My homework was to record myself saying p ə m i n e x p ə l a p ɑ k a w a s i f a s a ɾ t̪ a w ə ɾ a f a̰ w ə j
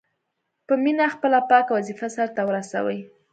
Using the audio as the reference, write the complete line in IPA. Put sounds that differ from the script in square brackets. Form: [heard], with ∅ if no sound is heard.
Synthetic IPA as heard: p ə m i n [a] x p ə l a p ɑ k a w a [z] i f a s a ɾ t̪ a w ə ɾ a [s] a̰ w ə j